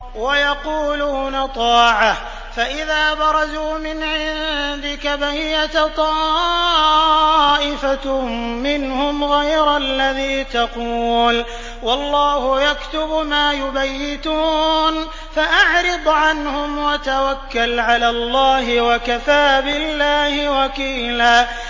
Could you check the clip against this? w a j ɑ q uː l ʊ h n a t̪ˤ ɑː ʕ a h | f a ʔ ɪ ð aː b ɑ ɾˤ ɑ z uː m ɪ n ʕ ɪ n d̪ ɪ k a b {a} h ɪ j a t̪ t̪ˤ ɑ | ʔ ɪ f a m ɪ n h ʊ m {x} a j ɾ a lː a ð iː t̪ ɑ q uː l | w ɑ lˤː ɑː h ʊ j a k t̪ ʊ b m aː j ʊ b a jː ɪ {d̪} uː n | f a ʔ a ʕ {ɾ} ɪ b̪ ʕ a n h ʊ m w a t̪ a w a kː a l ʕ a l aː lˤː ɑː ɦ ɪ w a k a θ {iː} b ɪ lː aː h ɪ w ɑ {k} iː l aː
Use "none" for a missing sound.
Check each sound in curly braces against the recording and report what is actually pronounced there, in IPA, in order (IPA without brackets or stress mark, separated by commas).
a, ɣ, t̪, ɾ, aː, k